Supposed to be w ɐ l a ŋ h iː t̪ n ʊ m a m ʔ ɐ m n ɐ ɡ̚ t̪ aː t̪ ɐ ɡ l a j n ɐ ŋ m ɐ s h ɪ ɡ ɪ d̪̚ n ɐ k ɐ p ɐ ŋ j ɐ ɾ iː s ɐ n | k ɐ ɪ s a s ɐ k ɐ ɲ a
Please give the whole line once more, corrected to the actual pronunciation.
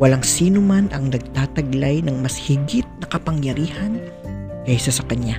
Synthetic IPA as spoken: w ɐ l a ŋ s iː n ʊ m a n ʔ ɐ ŋ n ɐ ɡ̚ t̪ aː t̪ ɐ ɡ l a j n ɐ ŋ m ɐ s h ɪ ɡ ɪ t̪̚ n ɐ k ɐ p ɐ ŋ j ɐ ɾ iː h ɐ n | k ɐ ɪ s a s ɐ k ɐ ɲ a